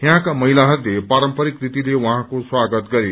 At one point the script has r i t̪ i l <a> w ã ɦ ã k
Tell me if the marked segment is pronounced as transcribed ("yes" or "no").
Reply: no